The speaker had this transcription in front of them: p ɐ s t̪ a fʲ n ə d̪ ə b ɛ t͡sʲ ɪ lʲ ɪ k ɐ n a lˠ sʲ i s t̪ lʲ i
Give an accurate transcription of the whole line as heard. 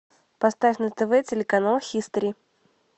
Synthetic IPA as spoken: p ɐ s t̪ a fʲ n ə t̪ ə v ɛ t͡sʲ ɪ lʲ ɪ k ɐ n a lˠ xʲ i s t̪ ɾʲ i